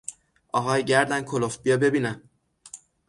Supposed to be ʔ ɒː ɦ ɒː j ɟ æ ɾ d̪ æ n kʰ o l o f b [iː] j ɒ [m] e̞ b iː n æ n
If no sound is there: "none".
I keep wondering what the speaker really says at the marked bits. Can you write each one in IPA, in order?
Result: i, b

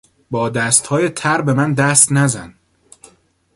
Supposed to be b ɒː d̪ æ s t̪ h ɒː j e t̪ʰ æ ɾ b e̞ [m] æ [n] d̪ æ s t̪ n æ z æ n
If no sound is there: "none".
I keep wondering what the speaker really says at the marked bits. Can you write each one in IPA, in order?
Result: m, n

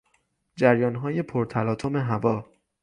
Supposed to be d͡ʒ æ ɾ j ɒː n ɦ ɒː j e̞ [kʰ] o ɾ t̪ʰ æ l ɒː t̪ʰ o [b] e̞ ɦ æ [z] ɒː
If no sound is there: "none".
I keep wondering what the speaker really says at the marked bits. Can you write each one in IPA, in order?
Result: pʰ, m, v

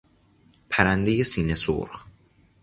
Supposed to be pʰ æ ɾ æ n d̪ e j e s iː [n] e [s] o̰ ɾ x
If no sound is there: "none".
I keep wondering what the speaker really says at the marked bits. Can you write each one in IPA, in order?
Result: n, s

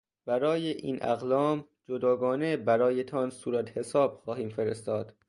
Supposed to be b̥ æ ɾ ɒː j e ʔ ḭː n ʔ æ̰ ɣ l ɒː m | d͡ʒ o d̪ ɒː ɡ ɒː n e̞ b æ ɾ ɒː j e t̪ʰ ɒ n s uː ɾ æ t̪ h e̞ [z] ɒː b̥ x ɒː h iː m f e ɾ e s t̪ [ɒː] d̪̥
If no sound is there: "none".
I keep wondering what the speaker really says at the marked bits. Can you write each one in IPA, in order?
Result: s, ɒː

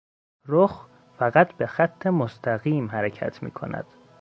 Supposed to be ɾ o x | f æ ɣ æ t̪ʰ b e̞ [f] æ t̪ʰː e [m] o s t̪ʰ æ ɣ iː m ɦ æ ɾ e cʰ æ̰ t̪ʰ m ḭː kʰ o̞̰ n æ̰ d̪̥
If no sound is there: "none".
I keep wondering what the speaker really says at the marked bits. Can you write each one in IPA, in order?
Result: x, m

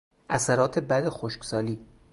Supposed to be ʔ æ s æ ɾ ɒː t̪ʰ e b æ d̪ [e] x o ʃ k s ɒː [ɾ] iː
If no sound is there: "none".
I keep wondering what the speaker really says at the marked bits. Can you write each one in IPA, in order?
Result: e, l

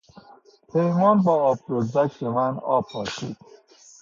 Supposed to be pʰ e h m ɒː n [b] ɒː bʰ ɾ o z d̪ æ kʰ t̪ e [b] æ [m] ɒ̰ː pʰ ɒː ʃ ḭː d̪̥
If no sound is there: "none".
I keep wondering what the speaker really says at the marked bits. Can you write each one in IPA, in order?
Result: b, m, n

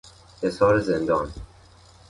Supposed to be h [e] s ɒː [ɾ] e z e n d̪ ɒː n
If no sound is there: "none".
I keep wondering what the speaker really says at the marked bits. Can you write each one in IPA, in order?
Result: e, ɾ

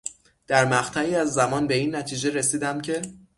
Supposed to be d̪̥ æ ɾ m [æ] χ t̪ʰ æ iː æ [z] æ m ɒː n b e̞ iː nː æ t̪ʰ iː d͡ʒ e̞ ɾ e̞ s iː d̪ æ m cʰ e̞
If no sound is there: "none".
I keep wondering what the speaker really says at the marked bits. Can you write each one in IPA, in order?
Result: æ, zː

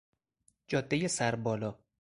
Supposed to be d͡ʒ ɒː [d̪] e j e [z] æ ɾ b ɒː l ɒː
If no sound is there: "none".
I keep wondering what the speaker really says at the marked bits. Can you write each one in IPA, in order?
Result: d̪ː, s

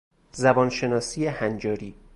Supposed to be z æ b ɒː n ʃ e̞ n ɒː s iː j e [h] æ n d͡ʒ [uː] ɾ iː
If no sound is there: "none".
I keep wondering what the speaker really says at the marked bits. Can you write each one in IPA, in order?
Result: h, ɒː

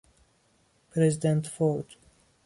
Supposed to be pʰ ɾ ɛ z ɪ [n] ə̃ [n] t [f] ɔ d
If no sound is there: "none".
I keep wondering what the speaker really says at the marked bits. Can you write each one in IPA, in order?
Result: d, n, f

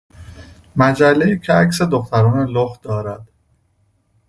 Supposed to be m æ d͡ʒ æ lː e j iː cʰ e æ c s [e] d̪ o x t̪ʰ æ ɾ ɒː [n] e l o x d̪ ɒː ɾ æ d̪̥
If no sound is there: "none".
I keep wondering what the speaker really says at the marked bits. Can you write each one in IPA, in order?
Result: e, n

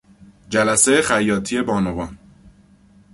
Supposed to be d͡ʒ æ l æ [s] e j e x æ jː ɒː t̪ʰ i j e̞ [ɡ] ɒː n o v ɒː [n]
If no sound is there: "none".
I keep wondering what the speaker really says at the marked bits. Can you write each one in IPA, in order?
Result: s, b, n

